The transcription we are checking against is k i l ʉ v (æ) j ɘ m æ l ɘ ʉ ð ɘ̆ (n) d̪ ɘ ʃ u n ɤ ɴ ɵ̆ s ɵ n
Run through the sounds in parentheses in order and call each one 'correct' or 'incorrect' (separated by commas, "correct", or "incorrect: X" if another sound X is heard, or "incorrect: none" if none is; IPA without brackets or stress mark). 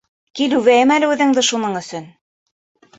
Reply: correct, incorrect: ŋ